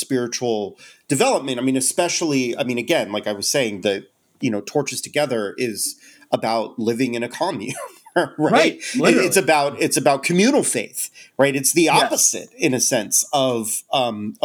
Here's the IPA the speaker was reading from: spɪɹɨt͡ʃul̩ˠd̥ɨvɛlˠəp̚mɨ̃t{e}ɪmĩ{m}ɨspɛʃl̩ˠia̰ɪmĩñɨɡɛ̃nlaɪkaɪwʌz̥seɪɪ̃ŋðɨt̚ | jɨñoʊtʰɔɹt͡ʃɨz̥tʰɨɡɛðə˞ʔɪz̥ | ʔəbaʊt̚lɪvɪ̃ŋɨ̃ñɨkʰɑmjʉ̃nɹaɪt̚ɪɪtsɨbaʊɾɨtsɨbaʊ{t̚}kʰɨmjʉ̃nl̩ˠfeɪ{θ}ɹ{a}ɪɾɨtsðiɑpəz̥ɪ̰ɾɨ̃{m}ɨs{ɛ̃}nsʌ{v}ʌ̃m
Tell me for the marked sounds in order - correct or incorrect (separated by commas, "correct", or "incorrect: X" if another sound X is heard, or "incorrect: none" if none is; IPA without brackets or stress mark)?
incorrect: a, incorrect: n, correct, correct, correct, incorrect: n, correct, correct